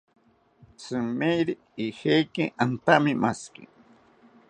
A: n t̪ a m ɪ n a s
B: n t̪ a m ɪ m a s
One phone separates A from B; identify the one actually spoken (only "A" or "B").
B